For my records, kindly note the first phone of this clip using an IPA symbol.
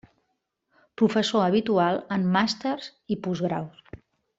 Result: p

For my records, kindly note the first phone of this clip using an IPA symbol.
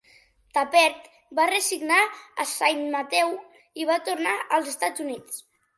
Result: t̪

